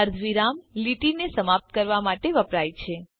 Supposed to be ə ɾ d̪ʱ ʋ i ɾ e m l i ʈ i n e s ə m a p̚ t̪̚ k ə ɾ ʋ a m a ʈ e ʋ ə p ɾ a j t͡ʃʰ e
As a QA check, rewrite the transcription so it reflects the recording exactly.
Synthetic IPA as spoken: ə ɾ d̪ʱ ʋ i ɾ a m l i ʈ i n e s ə m a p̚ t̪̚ k ə ɾ ʋ a m a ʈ e ʋ ə p ɾ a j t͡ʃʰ e